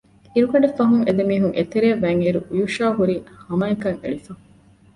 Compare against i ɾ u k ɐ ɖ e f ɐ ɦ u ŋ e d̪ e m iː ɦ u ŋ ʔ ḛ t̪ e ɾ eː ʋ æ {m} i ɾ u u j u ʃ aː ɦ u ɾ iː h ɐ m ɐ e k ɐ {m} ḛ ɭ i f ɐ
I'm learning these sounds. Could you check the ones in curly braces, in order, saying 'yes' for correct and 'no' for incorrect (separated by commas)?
no, no